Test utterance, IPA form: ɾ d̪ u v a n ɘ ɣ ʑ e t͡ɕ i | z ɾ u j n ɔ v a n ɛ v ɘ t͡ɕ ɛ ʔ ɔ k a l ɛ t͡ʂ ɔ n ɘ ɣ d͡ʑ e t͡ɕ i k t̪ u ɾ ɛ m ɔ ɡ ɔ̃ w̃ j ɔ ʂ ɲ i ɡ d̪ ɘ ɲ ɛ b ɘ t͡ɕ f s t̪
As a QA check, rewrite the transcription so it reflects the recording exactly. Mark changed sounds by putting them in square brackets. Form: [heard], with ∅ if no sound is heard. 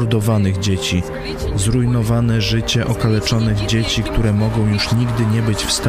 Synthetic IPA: ɾ d̪ [ɔ] v a n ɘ ɣ [d͡ʑ] e t͡ɕ i | z ɾ u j n ɔ v a n ɛ [ʐ] ɘ t͡ɕ ɛ ʔ ɔ k a l ɛ t͡ʂ ɔ n ɘ ɣ d͡ʑ e t͡ɕ i k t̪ u ɾ ɛ m ɔ ɡ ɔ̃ w̃ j [u] ʂ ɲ i ɡ d̪ ɘ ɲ ɛ b ɘ t͡ɕ f s t̪